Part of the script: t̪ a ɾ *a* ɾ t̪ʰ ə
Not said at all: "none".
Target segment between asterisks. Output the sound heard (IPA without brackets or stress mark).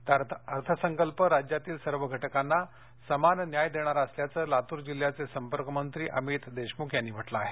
ə